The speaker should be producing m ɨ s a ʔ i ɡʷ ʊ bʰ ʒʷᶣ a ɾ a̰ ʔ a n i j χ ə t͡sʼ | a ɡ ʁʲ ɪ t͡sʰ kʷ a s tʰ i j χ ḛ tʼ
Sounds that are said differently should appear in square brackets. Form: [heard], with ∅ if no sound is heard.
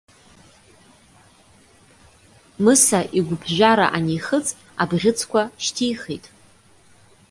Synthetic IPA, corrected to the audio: m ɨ s a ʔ i ɡʷ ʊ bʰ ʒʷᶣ a ɾ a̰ ʔ a n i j χ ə t͡sʼ | a [b] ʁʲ ɪ t͡sʰ kʷ a [ʃ] tʰ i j χ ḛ tʼ